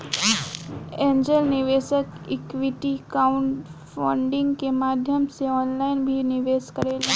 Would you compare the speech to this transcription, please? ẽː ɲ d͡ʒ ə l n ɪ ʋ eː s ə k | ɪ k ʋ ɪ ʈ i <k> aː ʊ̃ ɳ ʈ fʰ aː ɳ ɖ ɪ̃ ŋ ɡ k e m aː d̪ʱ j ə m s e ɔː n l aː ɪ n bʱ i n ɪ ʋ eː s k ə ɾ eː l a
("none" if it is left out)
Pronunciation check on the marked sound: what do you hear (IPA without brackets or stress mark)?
k